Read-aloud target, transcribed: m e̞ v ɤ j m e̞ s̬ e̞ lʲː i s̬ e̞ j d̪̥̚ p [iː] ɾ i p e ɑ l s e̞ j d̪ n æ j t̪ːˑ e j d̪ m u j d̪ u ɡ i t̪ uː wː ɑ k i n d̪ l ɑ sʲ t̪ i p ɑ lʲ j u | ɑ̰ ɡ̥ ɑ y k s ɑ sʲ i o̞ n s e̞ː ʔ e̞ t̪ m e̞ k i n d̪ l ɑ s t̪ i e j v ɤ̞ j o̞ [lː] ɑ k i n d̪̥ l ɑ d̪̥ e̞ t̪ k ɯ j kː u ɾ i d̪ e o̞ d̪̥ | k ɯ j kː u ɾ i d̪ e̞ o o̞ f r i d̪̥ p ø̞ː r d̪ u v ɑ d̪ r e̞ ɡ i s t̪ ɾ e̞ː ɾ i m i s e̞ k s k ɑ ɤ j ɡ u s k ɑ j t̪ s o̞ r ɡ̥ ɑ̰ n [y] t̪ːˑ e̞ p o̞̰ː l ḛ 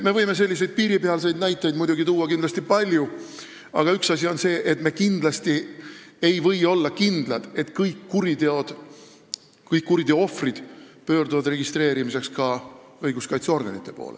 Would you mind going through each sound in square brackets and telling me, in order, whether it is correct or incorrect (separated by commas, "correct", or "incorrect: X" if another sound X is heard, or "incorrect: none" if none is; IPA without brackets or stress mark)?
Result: correct, correct, incorrect: i